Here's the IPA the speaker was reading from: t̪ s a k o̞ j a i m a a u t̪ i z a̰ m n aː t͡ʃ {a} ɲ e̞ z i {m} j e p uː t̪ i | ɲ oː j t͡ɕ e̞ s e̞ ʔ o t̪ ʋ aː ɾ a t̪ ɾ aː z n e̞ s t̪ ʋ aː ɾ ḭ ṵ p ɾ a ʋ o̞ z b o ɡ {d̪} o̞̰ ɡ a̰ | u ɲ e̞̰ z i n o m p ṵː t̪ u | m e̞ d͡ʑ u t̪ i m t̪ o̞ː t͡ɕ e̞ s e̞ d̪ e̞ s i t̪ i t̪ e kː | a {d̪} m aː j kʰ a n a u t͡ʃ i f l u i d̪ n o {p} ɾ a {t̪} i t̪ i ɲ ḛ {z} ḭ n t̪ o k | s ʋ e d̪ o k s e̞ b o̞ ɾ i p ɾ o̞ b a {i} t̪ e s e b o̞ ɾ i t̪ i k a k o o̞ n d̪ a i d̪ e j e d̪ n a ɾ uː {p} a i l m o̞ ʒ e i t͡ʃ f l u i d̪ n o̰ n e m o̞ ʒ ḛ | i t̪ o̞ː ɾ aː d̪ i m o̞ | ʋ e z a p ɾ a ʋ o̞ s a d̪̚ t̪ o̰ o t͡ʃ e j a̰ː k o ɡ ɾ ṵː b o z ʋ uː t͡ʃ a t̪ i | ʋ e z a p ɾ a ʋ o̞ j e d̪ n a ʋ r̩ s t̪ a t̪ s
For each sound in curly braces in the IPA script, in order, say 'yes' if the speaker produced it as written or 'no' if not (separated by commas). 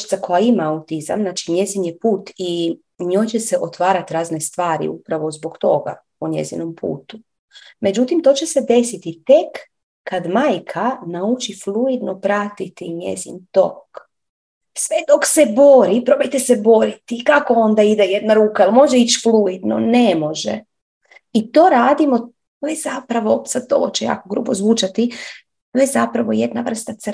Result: no, no, no, yes, yes, yes, yes, no, no